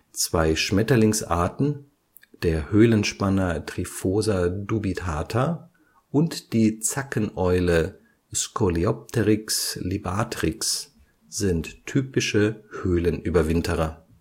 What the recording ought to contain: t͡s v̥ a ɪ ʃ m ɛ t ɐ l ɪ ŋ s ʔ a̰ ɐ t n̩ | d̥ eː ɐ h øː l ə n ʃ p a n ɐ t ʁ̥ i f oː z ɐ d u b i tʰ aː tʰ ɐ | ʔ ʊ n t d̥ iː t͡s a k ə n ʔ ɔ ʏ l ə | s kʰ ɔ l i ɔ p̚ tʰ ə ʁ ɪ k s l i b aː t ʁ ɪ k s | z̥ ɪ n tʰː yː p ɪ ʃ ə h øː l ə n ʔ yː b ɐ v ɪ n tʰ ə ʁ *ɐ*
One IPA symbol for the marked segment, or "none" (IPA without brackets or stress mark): ɐ